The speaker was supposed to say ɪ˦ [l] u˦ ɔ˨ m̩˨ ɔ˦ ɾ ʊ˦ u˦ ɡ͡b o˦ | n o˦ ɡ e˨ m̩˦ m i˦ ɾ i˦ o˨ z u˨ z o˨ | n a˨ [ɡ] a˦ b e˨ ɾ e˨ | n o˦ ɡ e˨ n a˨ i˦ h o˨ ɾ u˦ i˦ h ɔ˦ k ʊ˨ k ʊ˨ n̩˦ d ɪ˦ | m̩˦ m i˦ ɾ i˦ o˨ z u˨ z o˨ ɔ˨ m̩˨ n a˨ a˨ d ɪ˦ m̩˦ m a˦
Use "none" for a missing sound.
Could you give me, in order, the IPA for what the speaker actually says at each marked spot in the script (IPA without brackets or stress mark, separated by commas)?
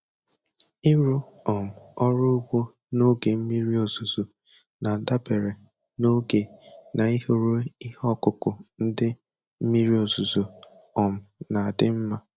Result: ɾ, d